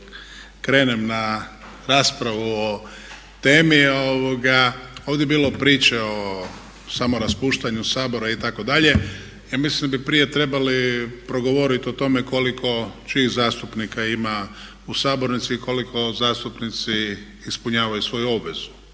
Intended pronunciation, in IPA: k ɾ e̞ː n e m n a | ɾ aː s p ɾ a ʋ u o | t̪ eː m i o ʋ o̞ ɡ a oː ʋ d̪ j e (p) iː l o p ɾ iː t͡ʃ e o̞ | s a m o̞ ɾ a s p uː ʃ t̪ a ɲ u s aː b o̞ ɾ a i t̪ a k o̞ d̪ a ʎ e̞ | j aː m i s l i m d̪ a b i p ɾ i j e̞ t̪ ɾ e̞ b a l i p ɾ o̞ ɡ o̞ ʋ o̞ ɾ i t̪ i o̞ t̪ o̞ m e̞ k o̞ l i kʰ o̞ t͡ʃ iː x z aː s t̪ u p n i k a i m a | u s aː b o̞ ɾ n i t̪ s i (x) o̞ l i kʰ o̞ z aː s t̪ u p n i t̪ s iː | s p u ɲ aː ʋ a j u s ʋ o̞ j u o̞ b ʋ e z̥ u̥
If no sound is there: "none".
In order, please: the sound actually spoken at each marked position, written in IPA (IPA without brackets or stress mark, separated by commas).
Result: b, k